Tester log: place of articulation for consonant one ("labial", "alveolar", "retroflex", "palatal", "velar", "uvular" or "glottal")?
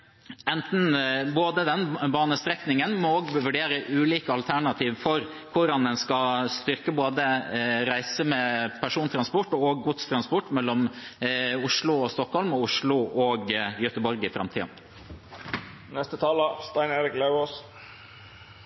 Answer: alveolar